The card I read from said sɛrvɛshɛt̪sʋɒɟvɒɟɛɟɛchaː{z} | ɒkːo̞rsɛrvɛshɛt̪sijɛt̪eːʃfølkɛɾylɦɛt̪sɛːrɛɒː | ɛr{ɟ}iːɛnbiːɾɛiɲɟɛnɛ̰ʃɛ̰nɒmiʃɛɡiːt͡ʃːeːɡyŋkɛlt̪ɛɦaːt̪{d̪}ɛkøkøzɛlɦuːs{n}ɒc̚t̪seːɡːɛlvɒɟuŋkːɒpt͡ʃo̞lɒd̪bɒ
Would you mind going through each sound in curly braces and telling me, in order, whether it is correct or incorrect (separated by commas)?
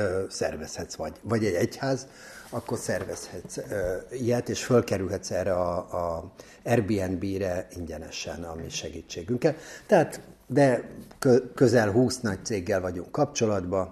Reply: correct, incorrect, correct, correct